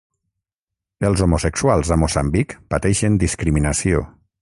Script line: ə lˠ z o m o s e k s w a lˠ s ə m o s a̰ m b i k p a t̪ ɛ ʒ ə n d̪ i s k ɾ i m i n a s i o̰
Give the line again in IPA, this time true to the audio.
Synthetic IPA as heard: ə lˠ z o m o s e k s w a lˠ z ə m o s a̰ m b i k p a t̪ ɛ ʃ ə n d̪ i s k ɾ i m i n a s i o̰